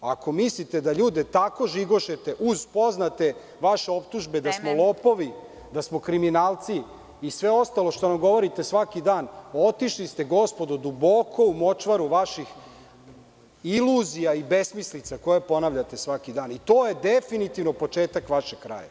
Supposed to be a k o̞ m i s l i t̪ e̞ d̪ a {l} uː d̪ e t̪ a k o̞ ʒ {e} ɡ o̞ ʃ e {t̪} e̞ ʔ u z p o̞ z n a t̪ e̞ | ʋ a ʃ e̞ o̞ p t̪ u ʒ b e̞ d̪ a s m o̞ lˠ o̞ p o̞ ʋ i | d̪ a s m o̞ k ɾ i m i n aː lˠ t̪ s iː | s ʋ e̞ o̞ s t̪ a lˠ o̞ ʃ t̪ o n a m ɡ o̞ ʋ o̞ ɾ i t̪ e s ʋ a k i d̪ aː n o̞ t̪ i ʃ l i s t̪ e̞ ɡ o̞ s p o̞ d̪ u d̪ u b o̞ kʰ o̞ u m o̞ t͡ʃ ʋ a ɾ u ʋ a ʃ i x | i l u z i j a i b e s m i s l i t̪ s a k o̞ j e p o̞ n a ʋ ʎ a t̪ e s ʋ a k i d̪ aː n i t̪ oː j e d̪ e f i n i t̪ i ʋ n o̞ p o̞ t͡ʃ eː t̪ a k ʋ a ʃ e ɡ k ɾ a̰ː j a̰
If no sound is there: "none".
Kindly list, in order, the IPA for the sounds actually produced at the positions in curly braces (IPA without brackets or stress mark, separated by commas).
ʎ, i, t̪